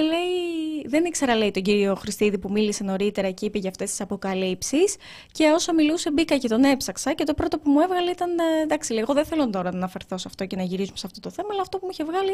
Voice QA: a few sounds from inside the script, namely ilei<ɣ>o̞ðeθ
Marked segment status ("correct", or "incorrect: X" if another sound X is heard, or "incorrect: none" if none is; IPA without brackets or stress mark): correct